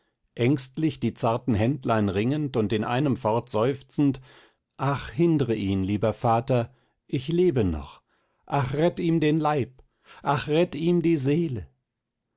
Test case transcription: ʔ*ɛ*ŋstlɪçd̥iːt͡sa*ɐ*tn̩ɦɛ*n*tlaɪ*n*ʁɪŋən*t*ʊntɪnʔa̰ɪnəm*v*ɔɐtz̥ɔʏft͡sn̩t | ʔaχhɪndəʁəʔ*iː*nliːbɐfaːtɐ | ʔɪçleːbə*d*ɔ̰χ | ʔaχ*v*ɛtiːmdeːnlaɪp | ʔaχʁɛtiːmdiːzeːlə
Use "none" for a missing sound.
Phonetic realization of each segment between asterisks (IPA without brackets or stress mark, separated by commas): ɛ, ɐ, n, n, t, f, iː, n, ʁ